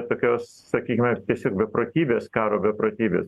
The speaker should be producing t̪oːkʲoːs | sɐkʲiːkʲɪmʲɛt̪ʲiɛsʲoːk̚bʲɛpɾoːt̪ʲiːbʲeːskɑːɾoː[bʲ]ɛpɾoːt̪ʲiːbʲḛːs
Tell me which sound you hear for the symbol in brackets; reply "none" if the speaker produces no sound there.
bʲ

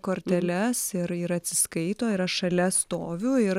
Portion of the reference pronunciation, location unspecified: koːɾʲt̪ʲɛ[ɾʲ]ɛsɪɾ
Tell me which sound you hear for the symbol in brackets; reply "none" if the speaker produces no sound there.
lʲ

